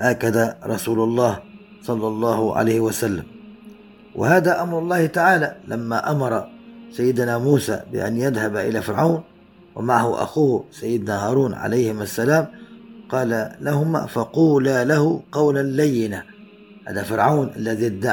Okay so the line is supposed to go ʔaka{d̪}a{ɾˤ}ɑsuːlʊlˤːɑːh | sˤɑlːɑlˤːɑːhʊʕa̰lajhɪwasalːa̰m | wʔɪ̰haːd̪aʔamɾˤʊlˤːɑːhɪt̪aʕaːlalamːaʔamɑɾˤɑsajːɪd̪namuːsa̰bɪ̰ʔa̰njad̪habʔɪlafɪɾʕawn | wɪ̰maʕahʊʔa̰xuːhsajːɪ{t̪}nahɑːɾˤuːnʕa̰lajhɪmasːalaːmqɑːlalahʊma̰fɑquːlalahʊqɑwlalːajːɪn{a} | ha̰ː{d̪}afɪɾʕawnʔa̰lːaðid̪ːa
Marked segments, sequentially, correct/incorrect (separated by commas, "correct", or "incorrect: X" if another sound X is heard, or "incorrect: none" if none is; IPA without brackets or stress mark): correct, correct, incorrect: d̪, correct, correct